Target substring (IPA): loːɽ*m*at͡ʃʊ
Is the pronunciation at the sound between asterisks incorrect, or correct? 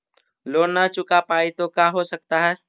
incorrect: n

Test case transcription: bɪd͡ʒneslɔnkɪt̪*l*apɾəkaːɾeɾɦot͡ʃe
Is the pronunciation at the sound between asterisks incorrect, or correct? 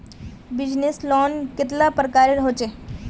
correct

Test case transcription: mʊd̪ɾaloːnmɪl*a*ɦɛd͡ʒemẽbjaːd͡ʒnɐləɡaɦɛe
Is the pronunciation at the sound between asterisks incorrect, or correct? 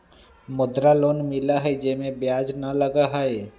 correct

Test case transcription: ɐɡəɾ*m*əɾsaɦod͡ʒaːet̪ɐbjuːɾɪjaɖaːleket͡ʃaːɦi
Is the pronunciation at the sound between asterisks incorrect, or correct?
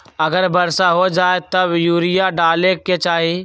incorrect: b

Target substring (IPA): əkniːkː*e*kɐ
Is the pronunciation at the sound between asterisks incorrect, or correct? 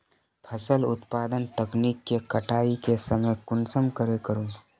correct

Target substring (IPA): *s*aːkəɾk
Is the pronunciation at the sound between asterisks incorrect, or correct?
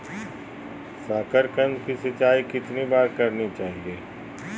correct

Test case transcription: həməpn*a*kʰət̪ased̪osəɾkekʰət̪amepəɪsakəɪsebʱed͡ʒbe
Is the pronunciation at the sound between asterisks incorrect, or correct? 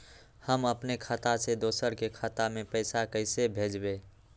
incorrect: e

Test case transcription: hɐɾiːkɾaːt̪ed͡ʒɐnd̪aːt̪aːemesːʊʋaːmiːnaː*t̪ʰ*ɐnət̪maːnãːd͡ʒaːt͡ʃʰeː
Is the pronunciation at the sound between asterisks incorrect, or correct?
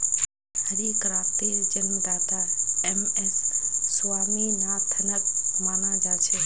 correct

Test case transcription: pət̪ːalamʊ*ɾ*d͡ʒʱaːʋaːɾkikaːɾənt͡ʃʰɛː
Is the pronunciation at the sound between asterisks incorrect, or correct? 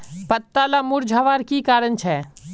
correct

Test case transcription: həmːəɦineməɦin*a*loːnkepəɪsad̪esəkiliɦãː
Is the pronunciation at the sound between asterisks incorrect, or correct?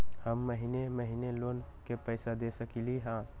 incorrect: e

